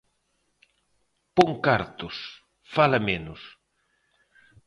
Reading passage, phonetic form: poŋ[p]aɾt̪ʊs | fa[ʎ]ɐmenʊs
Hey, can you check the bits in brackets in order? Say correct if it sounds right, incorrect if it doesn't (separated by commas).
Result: incorrect, incorrect